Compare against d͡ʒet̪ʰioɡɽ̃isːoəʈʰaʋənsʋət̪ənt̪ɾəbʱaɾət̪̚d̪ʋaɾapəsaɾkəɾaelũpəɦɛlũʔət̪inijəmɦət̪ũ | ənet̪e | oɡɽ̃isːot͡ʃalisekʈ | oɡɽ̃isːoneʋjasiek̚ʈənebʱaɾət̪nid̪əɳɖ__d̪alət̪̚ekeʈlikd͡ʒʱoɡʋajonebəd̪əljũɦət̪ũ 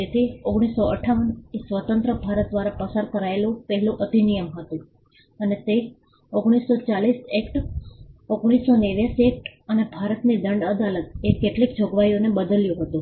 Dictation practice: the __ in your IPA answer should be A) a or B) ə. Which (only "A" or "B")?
B